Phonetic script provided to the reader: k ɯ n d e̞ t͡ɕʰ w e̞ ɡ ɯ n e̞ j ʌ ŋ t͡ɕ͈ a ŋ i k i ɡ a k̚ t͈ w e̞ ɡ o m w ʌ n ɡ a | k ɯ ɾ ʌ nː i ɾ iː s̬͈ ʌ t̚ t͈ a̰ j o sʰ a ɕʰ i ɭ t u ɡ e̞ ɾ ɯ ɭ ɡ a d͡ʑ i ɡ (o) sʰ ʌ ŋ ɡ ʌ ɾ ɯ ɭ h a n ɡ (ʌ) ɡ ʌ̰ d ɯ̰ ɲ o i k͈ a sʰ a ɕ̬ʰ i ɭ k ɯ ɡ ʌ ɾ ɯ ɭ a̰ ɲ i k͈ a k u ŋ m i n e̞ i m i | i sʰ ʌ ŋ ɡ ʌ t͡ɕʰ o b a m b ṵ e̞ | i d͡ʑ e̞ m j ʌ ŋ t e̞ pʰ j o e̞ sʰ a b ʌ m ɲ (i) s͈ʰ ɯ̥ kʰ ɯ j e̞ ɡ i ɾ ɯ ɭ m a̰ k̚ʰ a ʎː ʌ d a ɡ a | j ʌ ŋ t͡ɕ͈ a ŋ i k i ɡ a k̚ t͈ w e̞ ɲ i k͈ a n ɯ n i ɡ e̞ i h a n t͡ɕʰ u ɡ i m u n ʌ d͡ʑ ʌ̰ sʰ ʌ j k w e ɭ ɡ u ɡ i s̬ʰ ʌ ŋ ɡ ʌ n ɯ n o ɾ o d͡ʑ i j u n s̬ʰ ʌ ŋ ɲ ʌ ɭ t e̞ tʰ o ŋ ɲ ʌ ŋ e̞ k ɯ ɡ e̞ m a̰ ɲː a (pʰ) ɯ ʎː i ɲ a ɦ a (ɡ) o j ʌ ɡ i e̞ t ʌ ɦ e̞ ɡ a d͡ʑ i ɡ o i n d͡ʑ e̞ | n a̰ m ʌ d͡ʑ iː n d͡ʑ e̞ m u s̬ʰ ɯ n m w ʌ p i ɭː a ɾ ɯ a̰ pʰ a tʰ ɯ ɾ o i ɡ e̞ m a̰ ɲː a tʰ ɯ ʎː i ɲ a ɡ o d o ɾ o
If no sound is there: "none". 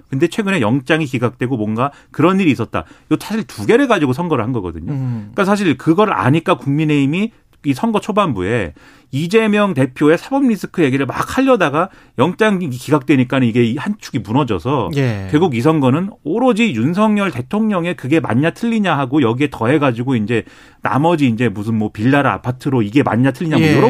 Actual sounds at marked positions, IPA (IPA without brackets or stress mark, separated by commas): o, ʌ, i, tʰ, ɡ